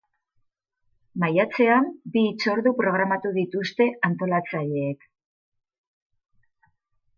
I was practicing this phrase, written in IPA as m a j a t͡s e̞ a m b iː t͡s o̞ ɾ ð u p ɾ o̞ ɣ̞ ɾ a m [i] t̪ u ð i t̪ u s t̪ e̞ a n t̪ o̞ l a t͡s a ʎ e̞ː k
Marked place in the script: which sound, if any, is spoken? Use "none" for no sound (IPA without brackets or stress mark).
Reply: a